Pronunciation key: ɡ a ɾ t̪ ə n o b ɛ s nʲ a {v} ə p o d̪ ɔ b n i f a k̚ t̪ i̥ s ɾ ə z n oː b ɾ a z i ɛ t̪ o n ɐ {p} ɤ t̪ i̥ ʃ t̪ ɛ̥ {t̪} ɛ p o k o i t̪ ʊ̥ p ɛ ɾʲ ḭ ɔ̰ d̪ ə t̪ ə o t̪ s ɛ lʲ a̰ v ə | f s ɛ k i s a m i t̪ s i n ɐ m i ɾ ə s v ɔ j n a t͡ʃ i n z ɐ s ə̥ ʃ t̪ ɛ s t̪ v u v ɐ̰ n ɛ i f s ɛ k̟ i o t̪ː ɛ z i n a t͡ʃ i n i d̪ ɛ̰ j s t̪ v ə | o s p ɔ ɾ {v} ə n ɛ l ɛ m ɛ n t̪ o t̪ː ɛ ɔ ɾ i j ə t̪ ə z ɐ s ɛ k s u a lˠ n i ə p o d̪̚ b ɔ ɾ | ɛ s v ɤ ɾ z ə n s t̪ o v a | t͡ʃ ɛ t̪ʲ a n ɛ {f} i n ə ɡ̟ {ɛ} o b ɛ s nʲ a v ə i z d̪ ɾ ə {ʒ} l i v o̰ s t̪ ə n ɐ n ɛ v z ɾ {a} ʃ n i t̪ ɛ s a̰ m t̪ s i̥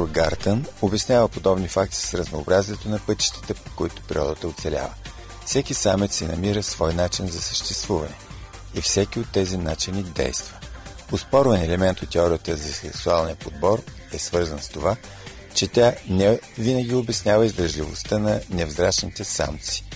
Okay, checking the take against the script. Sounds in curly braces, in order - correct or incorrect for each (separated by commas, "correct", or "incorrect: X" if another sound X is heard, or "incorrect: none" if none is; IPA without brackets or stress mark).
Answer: correct, correct, correct, correct, incorrect: v, incorrect: i, correct, correct